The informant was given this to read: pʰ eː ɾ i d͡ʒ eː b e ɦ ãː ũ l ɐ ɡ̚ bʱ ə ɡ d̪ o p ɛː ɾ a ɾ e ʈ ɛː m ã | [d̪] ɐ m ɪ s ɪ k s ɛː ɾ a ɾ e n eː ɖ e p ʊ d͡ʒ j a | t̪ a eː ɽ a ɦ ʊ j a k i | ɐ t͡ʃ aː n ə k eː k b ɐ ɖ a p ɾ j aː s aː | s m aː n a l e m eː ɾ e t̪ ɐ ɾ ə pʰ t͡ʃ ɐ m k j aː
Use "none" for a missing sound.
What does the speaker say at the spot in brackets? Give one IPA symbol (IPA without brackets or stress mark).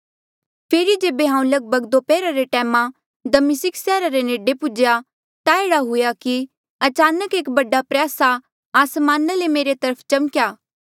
d̪